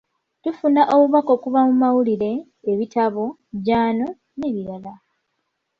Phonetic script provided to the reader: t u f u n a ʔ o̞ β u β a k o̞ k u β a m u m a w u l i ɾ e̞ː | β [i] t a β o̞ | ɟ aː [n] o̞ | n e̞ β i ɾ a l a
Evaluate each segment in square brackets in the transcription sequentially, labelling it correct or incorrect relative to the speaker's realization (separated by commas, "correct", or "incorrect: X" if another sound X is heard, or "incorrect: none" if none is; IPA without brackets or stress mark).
correct, correct